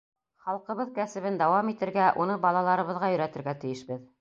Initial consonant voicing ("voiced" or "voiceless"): voiceless